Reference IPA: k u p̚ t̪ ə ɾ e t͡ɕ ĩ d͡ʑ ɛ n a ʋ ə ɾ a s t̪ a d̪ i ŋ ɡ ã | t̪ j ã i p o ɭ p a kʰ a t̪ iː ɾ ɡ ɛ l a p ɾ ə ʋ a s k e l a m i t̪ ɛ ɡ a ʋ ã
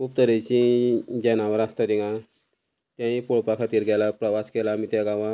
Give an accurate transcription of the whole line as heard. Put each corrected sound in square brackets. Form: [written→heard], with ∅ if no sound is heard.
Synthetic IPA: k u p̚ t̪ ə ɾ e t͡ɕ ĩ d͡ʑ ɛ n a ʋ ə ɾ a s t̪ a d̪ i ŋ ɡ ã | t̪ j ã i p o ɭ p a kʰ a t̪ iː ɾ ɡ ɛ l a p ɾ ə ʋ a s k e l a m i t̪ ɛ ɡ a ʋ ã